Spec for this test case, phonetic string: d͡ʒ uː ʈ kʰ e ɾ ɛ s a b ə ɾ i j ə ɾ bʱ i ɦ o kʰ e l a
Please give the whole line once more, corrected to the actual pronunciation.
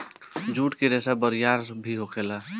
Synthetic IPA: d͡ʒ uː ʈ k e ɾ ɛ s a b ə ɾ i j a ɾ bʱ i ɦ o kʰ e l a

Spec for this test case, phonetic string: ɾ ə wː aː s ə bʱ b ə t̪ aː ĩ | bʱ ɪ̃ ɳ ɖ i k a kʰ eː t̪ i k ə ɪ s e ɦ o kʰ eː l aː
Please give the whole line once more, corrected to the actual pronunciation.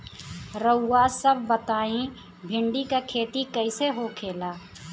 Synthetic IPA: ɾ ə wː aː s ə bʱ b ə t̪ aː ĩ | bʱ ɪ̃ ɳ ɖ i k a kʰ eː t̪ i k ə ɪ s e ɦ o kʰ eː l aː

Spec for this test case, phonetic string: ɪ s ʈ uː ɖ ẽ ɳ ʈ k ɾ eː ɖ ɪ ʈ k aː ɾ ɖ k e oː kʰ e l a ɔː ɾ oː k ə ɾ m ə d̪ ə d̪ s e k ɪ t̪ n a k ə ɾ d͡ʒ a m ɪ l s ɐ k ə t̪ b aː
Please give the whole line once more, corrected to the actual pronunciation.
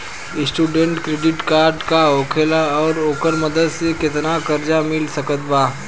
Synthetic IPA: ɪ s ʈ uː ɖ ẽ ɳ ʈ k ɾ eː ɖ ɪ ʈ k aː ɾ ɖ k a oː kʰ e l a ɔː ɾ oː k ə ɾ m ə d̪ ə d̪ s e k ɪ t̪ n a k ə ɾ d͡ʒ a m ɪ l s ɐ k ə t̪ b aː

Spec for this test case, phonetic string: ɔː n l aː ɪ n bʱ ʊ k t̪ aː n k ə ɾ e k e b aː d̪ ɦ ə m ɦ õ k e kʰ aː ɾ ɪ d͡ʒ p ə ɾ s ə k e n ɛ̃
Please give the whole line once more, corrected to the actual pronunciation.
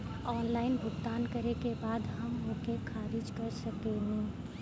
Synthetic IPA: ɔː n l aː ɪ n bʱ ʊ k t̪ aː n k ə ɾ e k e b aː d̪ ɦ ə m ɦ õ k e kʰ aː ɾ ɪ d͡ʒ k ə ɾ s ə k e n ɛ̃

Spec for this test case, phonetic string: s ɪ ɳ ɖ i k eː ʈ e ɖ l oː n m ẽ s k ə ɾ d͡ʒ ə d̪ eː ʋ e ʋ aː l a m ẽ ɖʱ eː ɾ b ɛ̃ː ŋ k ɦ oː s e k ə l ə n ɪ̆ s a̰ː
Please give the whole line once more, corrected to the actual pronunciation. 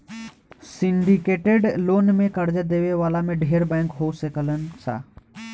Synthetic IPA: s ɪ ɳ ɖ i k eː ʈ e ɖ l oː n m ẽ k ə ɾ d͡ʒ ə d̪ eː ʋ e ʋ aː l a m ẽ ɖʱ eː ɾ b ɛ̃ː ŋ k ɦ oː s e k ə l ə n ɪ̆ s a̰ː

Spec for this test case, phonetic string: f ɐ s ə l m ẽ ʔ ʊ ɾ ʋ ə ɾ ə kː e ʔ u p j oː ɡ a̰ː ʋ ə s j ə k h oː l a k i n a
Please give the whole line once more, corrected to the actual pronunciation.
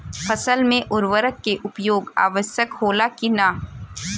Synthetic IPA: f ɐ s ə l m ẽ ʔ ʊ ɾ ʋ ə ɾ ə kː e ʔ ʊ p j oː ɡ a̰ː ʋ ə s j ə k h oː l a k i n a

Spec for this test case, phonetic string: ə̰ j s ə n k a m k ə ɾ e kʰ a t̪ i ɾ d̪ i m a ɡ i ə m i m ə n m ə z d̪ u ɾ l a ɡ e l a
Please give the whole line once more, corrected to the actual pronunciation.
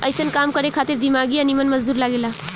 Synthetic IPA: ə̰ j s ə n k a m k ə ɾ e kʰ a t̪ i ɾ d̪ i m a ɡ i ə n i m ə n m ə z d̪ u ɾ l a ɡ e l a

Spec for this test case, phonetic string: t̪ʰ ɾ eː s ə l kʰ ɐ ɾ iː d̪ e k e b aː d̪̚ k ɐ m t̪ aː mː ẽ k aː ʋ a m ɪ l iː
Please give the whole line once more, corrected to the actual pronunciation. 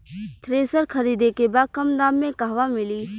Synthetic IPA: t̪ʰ ɾ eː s ə ɾ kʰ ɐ ɾ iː d̪ e k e b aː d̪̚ k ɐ m d̪ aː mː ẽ k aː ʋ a m ɪ l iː

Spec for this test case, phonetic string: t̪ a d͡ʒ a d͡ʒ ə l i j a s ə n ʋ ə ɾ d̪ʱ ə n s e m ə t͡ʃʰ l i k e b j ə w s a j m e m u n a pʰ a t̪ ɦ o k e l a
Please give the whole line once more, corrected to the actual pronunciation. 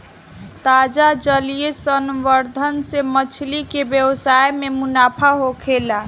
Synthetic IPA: t̪ a d͡ʒ a d͡ʒ ə l i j e s ə n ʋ ə ɾ d̪ʱ ə n s e m ə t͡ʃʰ l i k e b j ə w s a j m e m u n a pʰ a ɦ o kʰ e l a

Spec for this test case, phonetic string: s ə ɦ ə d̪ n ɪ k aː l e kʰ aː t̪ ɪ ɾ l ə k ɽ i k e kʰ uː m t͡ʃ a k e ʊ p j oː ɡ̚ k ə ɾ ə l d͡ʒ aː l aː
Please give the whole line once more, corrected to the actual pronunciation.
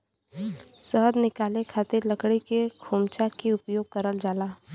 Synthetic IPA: s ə ɦ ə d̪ n ɪ k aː l e kʰ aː t̪ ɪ ɾ l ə k ɽ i k e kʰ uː m t͡ʃ a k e ʊ p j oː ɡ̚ k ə ɾ ə l d͡ʒ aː l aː

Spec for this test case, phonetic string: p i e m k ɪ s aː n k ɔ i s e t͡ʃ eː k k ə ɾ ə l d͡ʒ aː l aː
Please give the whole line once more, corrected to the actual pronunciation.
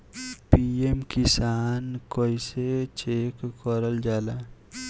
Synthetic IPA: p i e m k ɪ s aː n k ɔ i s e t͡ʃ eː k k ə ɾ ə l d͡ʒ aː l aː

